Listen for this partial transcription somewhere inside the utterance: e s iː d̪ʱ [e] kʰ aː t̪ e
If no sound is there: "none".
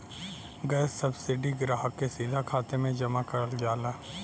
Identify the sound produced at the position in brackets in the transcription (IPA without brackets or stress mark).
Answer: a